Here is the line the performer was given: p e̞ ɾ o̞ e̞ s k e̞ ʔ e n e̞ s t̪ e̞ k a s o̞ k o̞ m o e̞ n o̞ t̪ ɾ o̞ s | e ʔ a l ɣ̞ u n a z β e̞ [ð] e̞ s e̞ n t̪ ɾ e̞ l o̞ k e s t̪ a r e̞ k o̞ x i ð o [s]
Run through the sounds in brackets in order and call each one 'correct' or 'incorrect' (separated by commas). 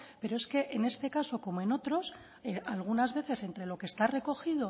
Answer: incorrect, incorrect